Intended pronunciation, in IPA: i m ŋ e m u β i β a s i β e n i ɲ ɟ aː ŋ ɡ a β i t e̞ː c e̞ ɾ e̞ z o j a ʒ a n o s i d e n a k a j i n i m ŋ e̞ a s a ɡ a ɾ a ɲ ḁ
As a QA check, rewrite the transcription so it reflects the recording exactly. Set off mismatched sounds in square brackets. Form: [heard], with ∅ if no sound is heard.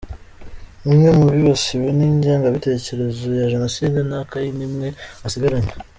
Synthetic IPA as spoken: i m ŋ e m u β i β a s i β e n i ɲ ɟ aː ŋ ɡ a β i t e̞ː c e̞ ɾ e̞ z o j a ʒ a n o s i d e n a k a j i n i m ŋ e̞ a s [i] ɡ a ɾ a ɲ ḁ

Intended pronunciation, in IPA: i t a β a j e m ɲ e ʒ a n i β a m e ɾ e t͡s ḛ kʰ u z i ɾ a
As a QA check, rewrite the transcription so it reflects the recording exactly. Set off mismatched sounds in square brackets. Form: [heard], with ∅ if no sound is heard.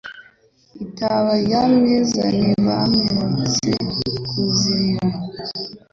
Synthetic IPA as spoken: i t a β a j [a] m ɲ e [z] a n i β a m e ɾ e t͡s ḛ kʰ u z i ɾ a

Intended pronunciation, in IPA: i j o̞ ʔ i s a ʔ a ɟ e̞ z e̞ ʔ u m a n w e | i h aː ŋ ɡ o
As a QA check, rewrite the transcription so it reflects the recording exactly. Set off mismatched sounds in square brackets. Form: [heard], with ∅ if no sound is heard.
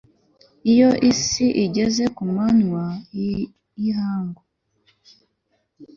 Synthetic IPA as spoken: i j o̞ ʔ i s [i] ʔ [i] ɟ e̞ z e̞ [k] u m a n w [a] | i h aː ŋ ɡ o

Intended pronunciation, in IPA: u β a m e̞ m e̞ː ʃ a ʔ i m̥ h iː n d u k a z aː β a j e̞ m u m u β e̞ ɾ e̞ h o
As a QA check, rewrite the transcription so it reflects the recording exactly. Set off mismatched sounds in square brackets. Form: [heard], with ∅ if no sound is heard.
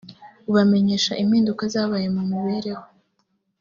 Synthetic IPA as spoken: u β a m e̞ [ɲ] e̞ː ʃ a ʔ i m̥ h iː n d u k a z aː β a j e̞ m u m u β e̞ ɾ e̞ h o

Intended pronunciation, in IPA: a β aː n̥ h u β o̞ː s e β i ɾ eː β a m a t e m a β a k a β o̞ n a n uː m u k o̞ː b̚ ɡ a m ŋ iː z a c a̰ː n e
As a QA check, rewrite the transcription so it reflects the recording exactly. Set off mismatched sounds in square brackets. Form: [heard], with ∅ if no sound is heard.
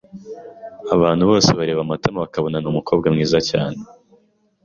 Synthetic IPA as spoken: a β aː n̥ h u β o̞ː s e β [a] ɾ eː β a m a t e m a β a k a β o̞ n a n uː m u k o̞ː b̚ ɡ a m ŋ iː z a c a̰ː n e

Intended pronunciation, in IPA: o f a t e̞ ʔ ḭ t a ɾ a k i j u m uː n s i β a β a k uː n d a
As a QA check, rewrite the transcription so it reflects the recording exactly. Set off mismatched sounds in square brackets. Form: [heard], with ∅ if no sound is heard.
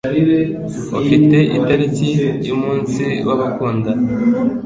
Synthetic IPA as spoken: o f [i] t e̞ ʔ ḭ t a ɾ [i] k i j u m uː n s i [w] a β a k uː n d a

